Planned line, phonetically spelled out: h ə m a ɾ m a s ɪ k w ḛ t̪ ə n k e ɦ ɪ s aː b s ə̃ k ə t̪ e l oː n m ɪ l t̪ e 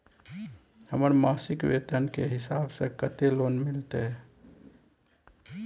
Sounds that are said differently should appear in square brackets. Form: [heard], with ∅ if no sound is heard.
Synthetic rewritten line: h ə m [ə] ɾ m a s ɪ k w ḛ t̪ ə n k e ɦ ɪ s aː b s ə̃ k ə t̪ e l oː n m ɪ l t̪ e

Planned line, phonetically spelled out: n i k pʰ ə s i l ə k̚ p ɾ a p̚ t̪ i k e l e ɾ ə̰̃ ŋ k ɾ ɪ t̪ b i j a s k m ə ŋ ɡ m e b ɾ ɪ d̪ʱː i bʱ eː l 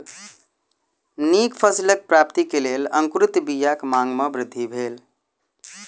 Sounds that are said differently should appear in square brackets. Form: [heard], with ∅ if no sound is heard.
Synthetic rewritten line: n i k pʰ ə s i l ə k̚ p ɾ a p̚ t̪ i k e l e [l] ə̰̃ ŋ k ɾ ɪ t̪ b i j a [∅] k m [a] ŋ ɡ m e b ɾ ɪ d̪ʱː i bʱ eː l

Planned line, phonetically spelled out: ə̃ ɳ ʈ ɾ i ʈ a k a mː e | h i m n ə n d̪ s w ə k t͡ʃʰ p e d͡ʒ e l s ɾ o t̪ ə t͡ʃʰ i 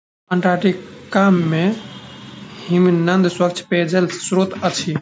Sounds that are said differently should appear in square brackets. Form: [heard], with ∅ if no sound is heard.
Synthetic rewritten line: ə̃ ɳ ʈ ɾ [a] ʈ [i] k a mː e | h i m n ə n d̪ s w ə k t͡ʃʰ p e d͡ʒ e l s ɾ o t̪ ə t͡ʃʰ i

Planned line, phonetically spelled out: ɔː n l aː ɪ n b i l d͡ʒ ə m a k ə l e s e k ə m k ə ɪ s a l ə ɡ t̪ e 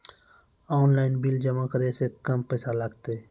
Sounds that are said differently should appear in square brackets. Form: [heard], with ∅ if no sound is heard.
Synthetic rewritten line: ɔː n l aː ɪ n b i l d͡ʒ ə m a k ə [ɾ] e s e k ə m [p] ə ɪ s a l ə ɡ t̪ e

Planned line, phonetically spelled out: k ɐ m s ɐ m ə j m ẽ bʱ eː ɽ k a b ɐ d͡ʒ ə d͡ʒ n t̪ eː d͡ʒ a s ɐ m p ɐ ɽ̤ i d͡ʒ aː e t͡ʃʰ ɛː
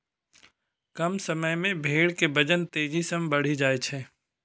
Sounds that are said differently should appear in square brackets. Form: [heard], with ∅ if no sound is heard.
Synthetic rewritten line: k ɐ m s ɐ m ə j m ẽ bʱ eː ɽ k [e] b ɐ d͡ʒ ə [∅] n t̪ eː d͡ʒ [i] s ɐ m [b] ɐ ɽ̤ i d͡ʒ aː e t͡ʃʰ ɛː

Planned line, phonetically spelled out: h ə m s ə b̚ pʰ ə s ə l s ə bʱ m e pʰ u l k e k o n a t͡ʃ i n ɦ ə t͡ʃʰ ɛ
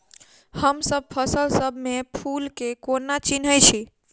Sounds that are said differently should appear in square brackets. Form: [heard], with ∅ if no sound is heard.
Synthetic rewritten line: h ə m s ə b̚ pʰ ə s ə l s ə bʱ m e pʰ u l k e k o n a t͡ʃ i n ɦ ə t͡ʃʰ [i]

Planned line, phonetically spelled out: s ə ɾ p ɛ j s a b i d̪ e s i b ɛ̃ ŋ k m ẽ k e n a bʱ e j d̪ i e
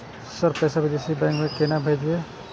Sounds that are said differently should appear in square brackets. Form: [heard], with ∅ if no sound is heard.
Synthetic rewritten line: s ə ɾ p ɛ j s a b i d̪ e s i b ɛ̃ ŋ k m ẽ k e n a bʱ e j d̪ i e

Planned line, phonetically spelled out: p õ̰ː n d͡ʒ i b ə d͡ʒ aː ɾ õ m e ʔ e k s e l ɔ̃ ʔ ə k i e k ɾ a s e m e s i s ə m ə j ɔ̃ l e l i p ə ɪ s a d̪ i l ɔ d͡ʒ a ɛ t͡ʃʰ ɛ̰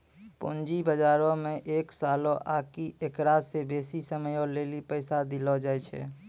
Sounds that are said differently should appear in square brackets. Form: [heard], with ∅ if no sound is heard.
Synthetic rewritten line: p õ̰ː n d͡ʒ i b ə d͡ʒ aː ɾ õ m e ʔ e k s [a] l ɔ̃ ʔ [a] k i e k ɾ a s e [b] e s i s ə m ə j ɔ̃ l e l i p ə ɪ s a d̪ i l ɔ d͡ʒ a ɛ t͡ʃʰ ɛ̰

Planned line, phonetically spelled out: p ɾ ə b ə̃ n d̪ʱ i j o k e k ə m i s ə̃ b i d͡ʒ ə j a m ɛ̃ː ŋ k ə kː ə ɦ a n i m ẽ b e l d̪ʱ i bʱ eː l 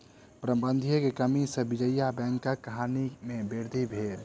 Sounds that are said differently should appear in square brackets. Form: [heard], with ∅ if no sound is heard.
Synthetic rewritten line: p ɾ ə b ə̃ n d̪ʱ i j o k e k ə m i s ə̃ b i d͡ʒ ə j a [b] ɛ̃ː ŋ k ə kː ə ɦ a n i m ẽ b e [ɾ] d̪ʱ i bʱ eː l

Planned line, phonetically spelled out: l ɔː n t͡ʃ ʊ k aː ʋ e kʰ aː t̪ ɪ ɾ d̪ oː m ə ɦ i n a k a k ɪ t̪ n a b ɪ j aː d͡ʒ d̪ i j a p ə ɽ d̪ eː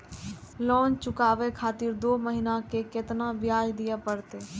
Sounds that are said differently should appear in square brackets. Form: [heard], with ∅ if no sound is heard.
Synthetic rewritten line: l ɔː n t͡ʃ ʊ k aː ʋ e kʰ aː t̪ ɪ ɾ d̪ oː m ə ɦ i n a k [e] k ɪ t̪ n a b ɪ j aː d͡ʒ d̪ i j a p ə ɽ [t̪] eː

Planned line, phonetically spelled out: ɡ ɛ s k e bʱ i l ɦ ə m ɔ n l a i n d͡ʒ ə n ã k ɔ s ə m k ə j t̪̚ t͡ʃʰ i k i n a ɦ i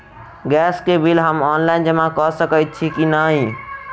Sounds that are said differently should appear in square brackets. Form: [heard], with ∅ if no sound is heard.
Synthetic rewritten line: ɡ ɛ s k e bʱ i l ɦ ə m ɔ n l a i n d͡ʒ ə [m] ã k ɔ s ə [∅] k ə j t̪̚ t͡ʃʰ i k i n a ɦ i

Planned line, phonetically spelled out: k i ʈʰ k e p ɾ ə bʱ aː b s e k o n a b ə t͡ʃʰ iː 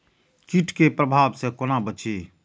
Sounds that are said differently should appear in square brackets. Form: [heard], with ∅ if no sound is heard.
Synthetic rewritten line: k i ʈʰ k e p ɾ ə bʱ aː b s e k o n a b ə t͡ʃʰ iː

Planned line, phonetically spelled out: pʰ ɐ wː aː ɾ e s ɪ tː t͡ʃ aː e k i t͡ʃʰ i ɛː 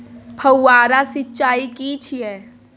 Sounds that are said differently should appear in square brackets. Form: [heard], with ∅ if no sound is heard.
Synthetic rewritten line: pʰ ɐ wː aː ɾ [a] s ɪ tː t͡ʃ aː [i] k i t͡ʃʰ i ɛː

